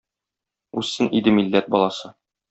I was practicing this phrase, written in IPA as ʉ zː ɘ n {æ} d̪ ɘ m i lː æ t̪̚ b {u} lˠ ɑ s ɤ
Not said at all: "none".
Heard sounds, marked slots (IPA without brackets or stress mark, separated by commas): i, ɒ